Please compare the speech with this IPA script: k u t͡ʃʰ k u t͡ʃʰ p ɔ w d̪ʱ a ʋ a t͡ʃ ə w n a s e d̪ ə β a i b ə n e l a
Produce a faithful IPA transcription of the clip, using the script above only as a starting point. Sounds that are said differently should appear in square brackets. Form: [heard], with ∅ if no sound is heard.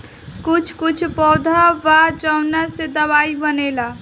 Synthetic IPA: k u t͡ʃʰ k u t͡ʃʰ p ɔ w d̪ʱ a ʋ a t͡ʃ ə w n a s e d̪ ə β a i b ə n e l a